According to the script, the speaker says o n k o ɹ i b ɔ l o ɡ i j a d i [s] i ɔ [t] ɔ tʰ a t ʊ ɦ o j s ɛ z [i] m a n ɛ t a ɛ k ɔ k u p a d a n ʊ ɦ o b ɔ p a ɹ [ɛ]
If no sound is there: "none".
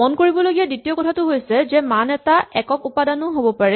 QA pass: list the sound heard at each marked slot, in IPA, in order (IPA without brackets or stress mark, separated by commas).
t, k, ɛ, ɛ